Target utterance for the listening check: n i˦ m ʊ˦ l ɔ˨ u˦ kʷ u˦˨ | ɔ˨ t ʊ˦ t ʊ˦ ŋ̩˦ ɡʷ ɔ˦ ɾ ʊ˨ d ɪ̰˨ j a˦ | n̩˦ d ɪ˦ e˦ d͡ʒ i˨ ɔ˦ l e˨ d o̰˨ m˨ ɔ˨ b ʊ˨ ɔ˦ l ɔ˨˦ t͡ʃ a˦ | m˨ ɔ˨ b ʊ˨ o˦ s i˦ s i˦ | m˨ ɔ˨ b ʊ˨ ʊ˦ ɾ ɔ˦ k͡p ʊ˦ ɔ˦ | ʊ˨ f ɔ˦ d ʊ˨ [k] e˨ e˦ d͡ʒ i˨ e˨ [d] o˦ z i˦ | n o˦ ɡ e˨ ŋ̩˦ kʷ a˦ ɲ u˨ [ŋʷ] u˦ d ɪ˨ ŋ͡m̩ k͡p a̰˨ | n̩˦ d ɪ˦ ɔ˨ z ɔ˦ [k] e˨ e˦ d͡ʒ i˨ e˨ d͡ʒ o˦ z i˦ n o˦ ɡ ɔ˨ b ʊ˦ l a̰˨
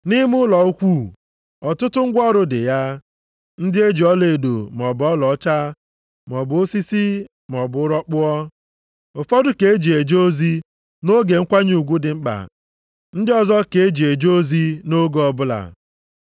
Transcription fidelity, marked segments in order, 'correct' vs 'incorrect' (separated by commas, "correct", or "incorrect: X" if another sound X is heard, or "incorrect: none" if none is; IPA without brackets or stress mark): correct, incorrect: d͡ʒ, incorrect: ɡʷ, correct